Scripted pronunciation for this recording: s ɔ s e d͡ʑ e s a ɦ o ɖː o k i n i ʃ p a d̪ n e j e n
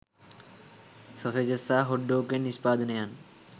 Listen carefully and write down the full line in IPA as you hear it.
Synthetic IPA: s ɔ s e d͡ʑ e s a ɦ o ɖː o k e n i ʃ p a d̪ n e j a n